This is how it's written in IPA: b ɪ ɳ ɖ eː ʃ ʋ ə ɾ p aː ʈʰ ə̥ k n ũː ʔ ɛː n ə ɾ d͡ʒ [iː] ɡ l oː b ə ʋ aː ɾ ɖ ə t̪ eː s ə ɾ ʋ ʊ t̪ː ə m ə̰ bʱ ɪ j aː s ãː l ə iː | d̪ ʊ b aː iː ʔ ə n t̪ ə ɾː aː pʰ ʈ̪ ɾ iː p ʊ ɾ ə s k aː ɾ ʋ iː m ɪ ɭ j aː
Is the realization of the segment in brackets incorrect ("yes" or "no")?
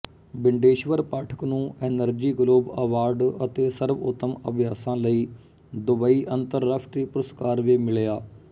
no